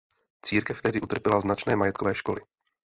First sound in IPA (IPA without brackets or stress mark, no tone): t͡s